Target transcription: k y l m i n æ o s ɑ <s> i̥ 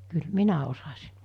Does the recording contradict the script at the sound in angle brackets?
no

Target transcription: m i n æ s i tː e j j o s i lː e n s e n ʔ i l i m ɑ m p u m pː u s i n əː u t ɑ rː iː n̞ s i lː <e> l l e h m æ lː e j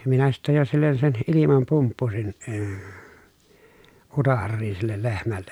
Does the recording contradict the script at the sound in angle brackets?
no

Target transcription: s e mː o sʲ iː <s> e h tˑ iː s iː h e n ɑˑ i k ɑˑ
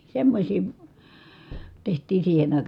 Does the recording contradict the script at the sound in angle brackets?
yes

